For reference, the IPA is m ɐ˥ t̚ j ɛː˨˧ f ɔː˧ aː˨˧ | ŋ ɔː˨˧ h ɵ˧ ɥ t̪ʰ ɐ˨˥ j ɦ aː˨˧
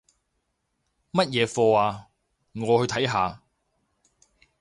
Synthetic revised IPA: m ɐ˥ t̚ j ɛː˨˧ f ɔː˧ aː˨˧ | ŋ ɔː˨˧ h ɵ˧ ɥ t̪ʰ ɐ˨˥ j ɦ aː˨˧

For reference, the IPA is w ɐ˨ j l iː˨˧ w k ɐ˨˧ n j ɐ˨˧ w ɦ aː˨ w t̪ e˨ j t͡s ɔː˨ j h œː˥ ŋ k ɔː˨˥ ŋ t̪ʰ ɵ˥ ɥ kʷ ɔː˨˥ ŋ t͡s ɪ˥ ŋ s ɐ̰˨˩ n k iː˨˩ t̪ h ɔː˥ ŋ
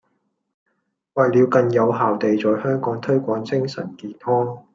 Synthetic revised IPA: w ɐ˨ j l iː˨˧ w k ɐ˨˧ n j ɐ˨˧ w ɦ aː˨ w t̪ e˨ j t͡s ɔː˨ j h œː˥ ŋ k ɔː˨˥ ŋ t̪ʰ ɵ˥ ɥ kʷ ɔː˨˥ ŋ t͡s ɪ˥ ŋ s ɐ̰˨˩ n k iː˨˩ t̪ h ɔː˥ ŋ

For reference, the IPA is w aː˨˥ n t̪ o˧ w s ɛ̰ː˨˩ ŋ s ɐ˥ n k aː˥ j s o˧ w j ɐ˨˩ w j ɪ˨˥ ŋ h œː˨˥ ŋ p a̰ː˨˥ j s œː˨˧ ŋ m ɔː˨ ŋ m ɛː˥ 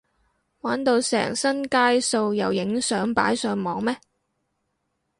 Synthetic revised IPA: w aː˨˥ n t̪ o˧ w s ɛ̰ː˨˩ ŋ s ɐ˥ n k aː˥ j s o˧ w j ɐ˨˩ w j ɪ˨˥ ŋ s œː˨˥ ŋ p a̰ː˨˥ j s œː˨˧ ŋ m ɔː˨ ŋ m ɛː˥

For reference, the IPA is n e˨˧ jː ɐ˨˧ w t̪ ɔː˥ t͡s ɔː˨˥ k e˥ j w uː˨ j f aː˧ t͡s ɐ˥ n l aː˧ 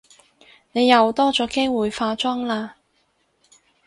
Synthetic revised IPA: n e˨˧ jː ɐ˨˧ w t̪ ɔː˥ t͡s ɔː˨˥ k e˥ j w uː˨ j f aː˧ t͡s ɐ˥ ŋ l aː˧

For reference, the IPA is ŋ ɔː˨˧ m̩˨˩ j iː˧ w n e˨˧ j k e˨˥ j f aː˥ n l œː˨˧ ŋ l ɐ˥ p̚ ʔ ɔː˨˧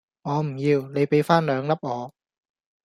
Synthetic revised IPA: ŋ ɔː˨˧ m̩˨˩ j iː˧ w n e˨˧ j p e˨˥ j f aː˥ n l œː˨˧ ŋ l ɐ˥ p̚ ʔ ɔː˨˧

